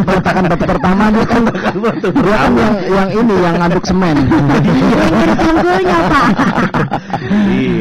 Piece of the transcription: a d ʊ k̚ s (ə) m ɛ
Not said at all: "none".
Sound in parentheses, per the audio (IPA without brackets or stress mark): ə